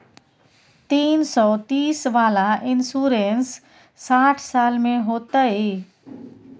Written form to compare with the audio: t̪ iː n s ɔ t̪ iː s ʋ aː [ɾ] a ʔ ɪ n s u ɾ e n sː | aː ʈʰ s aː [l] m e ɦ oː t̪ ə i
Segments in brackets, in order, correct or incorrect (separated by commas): incorrect, correct